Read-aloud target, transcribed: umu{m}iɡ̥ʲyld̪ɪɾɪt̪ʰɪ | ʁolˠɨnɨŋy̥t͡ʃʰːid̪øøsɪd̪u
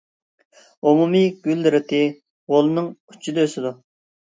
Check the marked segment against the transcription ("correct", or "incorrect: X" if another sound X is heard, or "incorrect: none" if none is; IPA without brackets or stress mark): correct